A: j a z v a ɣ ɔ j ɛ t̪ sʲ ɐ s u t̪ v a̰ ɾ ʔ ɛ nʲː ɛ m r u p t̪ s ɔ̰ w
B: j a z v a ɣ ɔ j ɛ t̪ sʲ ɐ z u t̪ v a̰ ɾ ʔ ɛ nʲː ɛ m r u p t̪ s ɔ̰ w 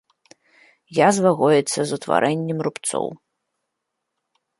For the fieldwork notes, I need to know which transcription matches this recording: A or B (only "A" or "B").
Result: B